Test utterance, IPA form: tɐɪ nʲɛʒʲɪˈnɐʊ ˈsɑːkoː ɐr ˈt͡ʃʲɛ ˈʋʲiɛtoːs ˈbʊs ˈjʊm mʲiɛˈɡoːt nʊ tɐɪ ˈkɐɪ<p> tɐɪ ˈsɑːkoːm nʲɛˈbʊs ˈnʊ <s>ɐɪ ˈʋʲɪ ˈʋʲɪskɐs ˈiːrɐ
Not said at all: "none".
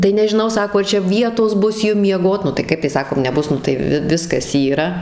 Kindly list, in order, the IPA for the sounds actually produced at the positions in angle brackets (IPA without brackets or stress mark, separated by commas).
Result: p, t